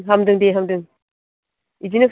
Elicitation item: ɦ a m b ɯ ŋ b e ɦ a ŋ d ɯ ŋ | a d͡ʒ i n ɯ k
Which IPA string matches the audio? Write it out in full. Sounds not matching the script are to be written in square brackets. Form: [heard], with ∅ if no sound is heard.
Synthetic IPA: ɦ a m [d] ɯ ŋ [d] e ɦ a [m] d ɯ ŋ | [i] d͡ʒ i n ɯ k